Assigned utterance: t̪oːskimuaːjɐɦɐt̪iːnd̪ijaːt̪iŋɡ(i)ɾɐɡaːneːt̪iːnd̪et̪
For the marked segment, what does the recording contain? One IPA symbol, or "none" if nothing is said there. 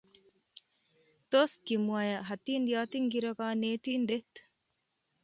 i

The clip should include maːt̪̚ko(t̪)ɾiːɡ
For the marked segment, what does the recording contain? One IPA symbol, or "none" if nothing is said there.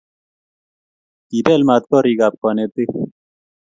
none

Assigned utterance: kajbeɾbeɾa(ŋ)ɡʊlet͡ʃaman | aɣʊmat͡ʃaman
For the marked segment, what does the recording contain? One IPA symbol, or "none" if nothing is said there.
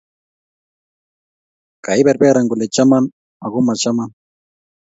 ŋ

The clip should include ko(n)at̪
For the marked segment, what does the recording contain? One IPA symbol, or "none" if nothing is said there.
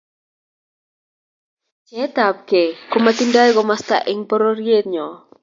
m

